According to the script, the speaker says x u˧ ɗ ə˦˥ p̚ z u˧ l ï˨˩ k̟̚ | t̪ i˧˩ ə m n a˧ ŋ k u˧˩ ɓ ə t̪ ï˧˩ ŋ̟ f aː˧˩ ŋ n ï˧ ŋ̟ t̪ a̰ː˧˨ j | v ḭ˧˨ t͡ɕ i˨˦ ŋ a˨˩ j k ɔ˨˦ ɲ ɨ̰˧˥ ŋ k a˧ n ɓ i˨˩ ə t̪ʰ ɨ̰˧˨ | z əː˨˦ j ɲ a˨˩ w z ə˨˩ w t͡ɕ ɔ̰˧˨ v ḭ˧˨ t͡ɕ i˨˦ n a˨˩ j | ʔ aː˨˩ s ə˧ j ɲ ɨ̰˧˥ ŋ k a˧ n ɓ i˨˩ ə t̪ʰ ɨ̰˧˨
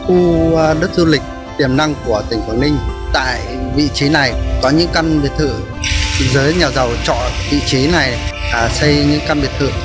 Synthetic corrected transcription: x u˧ ɗ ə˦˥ t̚ z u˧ l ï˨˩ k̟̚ | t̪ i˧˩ ə m n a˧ ŋ k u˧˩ ə t̪ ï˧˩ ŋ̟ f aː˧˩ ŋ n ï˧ ŋ̟ t̪ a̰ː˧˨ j | v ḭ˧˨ t͡ɕ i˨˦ n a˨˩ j k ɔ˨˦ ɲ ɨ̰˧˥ ŋ k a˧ n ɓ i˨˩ ə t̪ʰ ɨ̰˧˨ | z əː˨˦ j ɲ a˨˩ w z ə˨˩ w t͡ɕ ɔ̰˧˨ v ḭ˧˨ t͡ɕ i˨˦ n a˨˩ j | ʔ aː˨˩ s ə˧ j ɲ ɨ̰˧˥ ŋ k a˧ n ɓ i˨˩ ə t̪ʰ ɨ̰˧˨

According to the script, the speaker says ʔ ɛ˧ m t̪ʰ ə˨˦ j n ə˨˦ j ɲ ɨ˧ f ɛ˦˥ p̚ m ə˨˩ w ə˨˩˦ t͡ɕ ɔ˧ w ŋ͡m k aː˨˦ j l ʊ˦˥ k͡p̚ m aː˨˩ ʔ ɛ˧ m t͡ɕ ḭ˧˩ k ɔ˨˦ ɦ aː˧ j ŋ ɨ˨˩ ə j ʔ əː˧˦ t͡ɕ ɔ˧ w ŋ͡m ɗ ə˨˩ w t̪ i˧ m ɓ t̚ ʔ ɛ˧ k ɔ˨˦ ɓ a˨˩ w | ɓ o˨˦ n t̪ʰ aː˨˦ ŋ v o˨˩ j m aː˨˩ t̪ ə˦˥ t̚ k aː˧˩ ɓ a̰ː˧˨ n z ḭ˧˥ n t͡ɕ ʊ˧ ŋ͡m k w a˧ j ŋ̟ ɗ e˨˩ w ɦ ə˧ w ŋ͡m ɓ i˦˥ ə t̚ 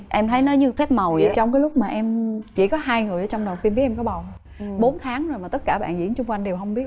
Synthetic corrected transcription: ʔ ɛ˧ m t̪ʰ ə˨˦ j n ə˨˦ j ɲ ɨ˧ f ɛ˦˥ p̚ m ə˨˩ w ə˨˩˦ t͡ɕ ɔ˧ w ŋ͡m k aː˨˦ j l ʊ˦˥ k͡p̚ m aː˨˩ ʔ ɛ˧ m t͡ɕ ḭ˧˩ k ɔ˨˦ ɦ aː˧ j ŋ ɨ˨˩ ə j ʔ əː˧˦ t͡ɕ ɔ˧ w ŋ͡m ɗ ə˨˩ w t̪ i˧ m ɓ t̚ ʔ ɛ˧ k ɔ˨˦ ɓ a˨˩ w | ɓ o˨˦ n t̪ʰ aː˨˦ ŋ z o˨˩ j m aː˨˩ t̪ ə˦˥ t̚ k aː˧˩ ɓ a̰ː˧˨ n z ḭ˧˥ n t͡ɕ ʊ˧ ŋ͡m k w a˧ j ŋ̟ ɗ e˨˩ w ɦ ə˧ w ŋ͡m ɓ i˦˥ ə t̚

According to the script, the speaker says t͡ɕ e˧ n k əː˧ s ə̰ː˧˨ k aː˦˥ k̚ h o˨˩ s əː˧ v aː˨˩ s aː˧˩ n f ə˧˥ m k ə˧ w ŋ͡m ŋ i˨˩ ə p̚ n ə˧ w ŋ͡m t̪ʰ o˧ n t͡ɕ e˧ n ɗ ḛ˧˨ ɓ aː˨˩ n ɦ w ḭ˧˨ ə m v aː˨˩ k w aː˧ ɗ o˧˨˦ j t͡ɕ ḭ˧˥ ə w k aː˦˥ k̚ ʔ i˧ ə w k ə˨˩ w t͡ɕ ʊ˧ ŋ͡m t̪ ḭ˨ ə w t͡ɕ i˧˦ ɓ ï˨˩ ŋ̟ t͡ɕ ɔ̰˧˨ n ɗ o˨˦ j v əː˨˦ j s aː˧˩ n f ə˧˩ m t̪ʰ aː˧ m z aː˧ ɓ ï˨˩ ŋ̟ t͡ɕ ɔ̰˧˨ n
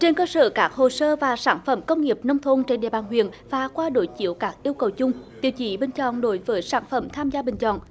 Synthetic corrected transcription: t͡ɕ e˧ n k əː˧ s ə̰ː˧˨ k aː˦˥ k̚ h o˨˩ s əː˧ v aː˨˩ s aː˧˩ n f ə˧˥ m k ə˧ w ŋ͡m ŋ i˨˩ ə p̚ n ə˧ w ŋ͡m t̪ʰ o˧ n t͡ɕ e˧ n ɗ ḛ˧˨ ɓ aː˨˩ n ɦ w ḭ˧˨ ə n v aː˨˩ k w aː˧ ɗ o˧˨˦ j t͡ɕ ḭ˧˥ ə w k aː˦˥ k̚ ʔ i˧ ə w k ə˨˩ w t͡ɕ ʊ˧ ŋ͡m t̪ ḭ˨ ə w t͡ɕ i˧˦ ɓ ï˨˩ ŋ̟ t͡ɕ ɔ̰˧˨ n ɗ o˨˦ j v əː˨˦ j s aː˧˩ n f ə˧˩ m t̪ʰ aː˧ m z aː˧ ɓ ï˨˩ ŋ̟ t͡ɕ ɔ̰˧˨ n

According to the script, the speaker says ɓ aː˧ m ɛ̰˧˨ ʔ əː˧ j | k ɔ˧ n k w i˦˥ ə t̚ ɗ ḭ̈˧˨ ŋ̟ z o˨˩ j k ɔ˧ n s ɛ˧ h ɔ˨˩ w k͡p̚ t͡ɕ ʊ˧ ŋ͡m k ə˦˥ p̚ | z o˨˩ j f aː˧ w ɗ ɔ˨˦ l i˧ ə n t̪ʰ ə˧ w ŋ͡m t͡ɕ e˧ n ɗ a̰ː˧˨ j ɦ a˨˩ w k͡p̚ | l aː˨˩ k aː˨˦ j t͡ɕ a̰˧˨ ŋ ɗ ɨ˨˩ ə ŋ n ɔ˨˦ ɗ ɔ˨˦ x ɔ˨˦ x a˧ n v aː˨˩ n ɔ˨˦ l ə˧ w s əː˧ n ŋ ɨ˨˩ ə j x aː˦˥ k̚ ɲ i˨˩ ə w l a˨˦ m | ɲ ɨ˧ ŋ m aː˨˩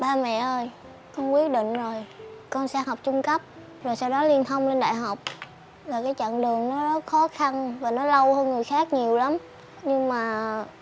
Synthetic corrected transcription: ɓ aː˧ m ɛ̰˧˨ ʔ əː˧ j | k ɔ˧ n k w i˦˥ ə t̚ ɗ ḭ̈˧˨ ŋ̟ z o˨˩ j k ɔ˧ n s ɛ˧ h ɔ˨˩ w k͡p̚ t͡ɕ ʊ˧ ŋ͡m k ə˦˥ p̚ | z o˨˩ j s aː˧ w ɗ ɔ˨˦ l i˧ ə n t̪ʰ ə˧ w ŋ͡m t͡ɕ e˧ n ɗ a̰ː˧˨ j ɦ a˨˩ w k͡p̚ | l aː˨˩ k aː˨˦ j t͡ɕ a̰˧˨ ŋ ɗ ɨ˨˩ ə ŋ n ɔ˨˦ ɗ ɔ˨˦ x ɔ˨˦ x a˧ n v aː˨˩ n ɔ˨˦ l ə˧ w h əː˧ n ŋ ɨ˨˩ ə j x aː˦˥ k̚ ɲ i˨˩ ə w l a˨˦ m | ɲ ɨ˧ ŋ m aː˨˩

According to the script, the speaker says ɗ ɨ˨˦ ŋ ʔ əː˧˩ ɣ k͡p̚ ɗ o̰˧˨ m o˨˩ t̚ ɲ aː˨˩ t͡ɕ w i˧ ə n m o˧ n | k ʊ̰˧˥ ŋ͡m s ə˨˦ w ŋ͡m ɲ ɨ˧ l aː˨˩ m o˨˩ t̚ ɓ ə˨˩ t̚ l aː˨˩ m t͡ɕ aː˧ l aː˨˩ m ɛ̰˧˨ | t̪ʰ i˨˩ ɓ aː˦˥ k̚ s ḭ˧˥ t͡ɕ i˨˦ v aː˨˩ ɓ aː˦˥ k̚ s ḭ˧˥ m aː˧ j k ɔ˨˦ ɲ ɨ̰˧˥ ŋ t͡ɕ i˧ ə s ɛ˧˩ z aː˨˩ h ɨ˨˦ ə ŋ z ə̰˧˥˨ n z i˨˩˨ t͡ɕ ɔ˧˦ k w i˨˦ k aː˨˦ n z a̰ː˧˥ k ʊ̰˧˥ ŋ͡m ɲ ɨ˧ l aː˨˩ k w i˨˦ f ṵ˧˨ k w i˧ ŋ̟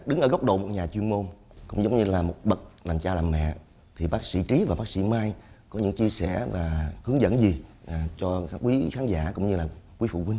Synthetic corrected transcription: ɗ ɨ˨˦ ŋ ʔ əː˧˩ ɣ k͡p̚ ɗ o̰˧˨ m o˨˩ t̚ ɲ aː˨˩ t͡ɕ w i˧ ə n m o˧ n | k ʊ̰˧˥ ŋ͡m z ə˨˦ w ŋ͡m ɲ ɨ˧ l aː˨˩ m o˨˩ t̚ ɓ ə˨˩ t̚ l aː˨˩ m t͡ɕ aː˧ l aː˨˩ m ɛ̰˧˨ | t̪ʰ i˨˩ ɓ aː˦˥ k̚ s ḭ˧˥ t͡ɕ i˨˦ v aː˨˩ ɓ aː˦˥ k̚ s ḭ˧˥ m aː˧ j k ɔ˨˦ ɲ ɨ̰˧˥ ŋ t͡ɕ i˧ ə s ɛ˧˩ v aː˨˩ h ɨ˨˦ ə ŋ z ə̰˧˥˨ n z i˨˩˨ t͡ɕ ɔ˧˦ k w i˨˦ x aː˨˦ n z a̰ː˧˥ k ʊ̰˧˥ ŋ͡m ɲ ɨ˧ l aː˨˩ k w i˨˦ f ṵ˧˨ k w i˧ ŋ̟

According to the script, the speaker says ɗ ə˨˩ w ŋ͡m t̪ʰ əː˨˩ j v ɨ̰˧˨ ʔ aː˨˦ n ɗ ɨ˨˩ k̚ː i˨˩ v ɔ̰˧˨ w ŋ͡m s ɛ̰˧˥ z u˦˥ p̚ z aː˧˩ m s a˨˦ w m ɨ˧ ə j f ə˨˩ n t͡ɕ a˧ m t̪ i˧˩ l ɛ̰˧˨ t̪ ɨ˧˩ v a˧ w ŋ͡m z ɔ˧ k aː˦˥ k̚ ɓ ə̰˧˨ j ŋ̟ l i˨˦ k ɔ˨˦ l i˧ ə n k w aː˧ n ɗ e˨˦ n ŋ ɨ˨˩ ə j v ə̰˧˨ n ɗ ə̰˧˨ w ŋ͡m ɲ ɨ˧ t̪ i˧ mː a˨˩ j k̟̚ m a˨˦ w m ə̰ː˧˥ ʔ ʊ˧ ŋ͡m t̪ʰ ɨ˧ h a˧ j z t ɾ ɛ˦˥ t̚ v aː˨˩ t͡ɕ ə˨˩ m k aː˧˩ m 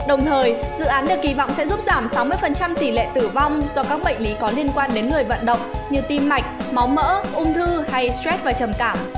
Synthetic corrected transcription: ɗ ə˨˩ w ŋ͡m t̪ʰ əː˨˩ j z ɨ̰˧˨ ʔ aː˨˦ n ɗ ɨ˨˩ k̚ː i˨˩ v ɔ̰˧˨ w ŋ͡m s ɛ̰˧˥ z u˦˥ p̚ z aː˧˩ m s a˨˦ w m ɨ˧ ə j f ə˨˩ n t͡ɕ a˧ m t̪ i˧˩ l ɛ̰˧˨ t̪ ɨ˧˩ v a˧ w ŋ͡m z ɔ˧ k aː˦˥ k̚ ɓ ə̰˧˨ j ŋ̟ l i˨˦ k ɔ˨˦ l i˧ ə n k w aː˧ n ɗ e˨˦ n ŋ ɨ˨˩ ə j v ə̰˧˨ n ɗ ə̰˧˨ w ŋ͡m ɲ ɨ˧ t̪ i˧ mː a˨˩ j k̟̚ m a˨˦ w m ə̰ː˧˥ ʔ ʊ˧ ŋ͡m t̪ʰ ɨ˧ h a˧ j s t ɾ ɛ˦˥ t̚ v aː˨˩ t͡ɕ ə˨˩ m k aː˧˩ m

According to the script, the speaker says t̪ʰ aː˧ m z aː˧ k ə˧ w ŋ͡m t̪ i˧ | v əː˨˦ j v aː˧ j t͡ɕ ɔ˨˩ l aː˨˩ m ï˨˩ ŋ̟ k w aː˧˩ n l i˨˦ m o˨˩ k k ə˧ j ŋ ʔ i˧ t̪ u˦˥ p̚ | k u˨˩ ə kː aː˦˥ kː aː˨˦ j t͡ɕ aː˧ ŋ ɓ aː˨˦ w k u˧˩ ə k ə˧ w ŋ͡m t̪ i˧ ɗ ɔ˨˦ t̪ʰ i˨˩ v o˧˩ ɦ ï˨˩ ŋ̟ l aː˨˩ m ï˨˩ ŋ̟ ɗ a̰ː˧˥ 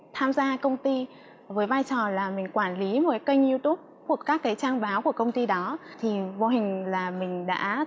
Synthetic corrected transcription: t̪ʰ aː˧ m z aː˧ k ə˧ w ŋ͡m t̪ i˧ | v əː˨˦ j v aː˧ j t͡ɕ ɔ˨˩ l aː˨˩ m ï˨˩ ŋ̟ k w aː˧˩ n l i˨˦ m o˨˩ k k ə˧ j ŋ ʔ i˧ t̪ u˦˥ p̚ | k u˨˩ ə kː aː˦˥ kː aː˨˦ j t͡ɕ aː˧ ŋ ɓ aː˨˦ w k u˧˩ ə k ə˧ w ŋ͡m t̪ i˧ ɗ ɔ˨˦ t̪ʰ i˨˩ v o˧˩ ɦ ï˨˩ ŋ̟ l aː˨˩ m ï˨˩ ŋ̟ ɗ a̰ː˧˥

